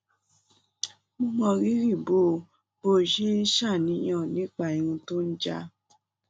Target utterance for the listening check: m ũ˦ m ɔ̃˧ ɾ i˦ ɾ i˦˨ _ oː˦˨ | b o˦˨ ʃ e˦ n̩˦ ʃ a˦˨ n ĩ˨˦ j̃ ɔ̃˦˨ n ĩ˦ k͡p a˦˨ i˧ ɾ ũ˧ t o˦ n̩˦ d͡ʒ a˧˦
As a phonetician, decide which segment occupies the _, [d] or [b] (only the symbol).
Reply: b